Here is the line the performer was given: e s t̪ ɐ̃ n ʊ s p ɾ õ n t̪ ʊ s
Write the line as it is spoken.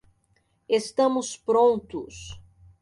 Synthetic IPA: e s t̪ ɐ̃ m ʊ s p ɾ õ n t̪ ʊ s